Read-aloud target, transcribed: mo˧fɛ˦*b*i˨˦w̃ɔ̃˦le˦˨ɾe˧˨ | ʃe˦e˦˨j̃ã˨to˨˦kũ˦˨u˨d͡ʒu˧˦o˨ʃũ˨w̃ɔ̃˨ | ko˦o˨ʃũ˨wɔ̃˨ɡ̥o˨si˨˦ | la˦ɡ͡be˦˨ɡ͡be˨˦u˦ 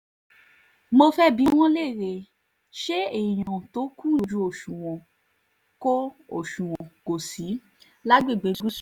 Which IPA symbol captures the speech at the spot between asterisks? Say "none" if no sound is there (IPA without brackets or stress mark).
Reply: b